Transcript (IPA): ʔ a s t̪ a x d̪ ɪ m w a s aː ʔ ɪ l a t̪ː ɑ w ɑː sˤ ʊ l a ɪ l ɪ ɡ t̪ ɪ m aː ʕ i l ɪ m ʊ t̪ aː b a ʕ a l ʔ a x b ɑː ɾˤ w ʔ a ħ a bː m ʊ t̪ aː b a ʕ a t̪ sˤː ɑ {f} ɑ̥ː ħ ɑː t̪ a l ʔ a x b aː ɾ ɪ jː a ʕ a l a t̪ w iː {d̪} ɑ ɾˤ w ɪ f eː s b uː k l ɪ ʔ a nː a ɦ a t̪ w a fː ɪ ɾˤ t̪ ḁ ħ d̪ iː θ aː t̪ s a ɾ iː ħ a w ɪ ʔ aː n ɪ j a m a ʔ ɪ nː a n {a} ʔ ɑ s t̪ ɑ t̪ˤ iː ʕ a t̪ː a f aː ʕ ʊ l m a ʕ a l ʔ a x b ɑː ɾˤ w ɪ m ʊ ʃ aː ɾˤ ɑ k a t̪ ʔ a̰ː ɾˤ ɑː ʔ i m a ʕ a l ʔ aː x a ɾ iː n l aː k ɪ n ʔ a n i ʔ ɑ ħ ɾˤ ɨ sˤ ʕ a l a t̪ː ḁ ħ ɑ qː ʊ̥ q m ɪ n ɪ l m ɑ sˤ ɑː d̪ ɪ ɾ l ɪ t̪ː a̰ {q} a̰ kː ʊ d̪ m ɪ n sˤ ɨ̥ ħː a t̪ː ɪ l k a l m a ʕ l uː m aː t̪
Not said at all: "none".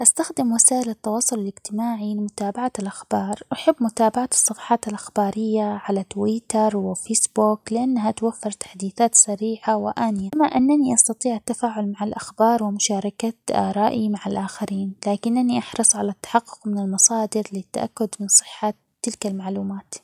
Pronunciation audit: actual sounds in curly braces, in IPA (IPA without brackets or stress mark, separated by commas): f, t̪, i, ʔ